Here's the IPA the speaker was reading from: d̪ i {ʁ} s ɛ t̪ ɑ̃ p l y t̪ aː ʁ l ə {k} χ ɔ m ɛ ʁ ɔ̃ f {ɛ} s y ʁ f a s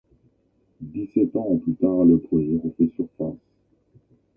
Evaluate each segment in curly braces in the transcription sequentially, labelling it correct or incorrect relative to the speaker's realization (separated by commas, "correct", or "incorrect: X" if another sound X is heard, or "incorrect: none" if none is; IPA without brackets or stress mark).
incorrect: none, incorrect: p, correct